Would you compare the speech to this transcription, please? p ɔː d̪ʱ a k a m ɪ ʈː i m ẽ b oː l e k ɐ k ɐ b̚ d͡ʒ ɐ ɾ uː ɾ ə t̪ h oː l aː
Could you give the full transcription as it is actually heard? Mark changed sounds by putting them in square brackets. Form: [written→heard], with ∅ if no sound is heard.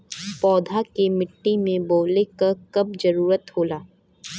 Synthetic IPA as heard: p ɔː d̪ʱ a k [a→e] m ɪ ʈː i m ẽ b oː l e k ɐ k ɐ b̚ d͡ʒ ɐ ɾ uː ɾ ə t̪ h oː l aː

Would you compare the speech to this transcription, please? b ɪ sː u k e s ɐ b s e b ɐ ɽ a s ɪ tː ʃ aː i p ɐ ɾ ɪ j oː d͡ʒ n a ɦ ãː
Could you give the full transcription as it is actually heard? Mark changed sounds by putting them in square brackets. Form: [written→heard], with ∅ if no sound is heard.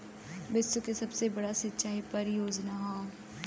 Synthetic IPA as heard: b ɪ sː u k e s ɐ b s e b ɐ ɽ a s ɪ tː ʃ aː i p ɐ ɾ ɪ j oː d͡ʒ n a ɦ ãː

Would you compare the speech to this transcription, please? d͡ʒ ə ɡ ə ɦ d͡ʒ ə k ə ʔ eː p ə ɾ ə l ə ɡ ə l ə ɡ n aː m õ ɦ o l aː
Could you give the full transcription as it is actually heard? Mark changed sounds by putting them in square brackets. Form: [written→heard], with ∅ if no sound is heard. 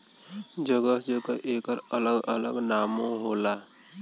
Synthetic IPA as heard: d͡ʒ ə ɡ ə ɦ d͡ʒ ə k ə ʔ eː [p→k] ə ɾ ə l ə ɡ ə l ə ɡ n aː m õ ɦ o l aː

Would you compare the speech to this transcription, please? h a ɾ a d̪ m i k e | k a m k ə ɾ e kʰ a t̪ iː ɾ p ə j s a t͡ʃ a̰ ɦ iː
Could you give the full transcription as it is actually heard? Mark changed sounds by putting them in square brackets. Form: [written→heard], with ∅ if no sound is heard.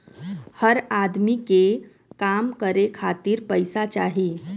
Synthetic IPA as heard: h [a→ə] ɾ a d̪ m i k e | k a m k ə ɾ e kʰ a t̪ iː ɾ p ə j s a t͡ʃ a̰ ɦ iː

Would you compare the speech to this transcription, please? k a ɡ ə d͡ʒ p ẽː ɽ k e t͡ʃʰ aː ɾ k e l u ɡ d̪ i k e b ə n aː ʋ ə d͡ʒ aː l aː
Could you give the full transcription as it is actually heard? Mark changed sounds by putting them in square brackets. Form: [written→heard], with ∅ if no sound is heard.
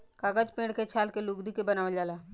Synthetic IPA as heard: k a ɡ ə d͡ʒ p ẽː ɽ k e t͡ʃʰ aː [ɾ→l] k e l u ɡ d̪ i k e b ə n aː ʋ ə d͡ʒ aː l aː

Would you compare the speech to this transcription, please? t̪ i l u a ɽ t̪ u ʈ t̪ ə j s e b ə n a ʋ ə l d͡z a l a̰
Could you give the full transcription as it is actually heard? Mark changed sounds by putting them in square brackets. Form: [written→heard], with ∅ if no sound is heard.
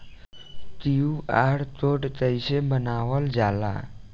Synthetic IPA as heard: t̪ i [l→∅] u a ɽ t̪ [u→o] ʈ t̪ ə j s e b ə n a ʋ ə l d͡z a l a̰

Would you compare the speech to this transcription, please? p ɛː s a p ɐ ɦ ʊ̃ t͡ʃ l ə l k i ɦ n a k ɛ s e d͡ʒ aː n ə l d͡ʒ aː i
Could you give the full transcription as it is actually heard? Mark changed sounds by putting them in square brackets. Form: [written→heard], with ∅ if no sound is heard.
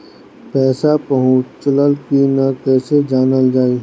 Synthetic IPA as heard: p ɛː s a p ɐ ɦ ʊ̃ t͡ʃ l ə l k i [ɦ→∅] n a k [ɛ→ɛː] s e d͡ʒ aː n ə l d͡ʒ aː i

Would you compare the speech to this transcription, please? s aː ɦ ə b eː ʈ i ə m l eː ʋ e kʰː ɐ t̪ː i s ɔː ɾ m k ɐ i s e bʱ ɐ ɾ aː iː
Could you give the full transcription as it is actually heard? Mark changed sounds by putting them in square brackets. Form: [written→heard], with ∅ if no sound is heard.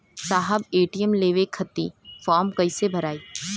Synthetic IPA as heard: s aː ɦ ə b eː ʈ i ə m l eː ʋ e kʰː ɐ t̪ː i [s→f] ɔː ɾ m k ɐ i s e bʱ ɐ ɾ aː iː

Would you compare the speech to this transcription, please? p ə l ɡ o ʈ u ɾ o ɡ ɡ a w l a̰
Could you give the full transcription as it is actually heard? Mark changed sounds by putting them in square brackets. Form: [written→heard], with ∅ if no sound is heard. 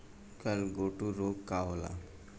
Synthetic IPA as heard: [p→k] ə l ɡ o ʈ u ɾ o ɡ [ɡ→k] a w l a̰

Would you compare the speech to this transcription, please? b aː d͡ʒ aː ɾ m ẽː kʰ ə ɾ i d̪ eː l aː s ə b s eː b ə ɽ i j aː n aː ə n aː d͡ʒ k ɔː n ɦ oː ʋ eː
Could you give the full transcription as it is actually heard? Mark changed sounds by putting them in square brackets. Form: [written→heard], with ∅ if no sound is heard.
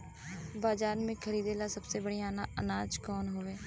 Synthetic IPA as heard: b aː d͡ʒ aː ɾ m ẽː kʰ ə ɾ [i→iː] d̪ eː l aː s ə b s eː b ə ɽ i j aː n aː ə n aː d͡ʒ k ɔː n ɦ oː ʋ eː

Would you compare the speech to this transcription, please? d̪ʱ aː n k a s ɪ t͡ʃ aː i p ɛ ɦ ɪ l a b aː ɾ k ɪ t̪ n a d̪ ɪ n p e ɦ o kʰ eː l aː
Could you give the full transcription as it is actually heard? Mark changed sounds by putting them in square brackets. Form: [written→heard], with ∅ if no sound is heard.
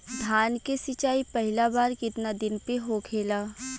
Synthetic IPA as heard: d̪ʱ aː n k [a→e] s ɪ t͡ʃ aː i p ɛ ɦ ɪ l a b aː ɾ k ɪ t̪ n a d̪ ɪ n p e ɦ o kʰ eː l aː

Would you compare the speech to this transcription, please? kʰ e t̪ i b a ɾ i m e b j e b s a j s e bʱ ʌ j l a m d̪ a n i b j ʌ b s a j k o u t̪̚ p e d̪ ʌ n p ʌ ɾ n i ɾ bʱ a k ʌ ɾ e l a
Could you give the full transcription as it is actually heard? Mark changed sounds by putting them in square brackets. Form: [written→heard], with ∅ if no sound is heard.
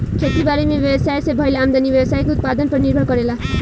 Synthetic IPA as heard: kʰ e t̪ i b a ɾ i m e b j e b s a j s e bʱ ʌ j l a m d̪ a n i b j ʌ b s a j k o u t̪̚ p [e→a] d̪ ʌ n p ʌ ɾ n i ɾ bʱ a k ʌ ɾ e l a

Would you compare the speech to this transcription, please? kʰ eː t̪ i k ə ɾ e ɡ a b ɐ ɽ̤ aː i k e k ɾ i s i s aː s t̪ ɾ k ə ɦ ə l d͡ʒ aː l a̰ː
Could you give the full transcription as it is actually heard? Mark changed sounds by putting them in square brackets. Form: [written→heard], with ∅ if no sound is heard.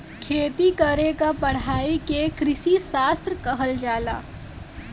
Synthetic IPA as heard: kʰ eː t̪ i k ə ɾ e [ɡ→k] a [b→p] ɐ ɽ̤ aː i k e k ɾ [i→ɪ] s i s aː s t̪ ɾ k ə ɦ ə l d͡ʒ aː l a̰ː

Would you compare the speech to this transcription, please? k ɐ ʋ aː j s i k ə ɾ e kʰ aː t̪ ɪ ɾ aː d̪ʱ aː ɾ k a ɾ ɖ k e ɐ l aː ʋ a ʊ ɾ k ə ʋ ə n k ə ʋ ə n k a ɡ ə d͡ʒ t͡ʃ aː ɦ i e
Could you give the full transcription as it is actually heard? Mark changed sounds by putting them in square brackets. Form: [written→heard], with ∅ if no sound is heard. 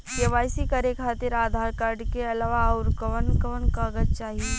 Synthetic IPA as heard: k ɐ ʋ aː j s i k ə ɾ e kʰ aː t̪ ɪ ɾ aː d̪ʱ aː ɾ k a ɾ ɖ k e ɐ l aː ʋ a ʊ ɾ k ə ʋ ə n k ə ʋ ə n k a ɡ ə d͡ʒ t͡ʃ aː ɦ i e

